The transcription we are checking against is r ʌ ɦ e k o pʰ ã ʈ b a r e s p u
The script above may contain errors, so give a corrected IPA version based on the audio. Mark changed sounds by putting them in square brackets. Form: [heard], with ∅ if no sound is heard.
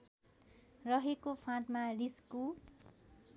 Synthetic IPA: r ʌ ɦ e k o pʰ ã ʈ [m] a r [i] s [k] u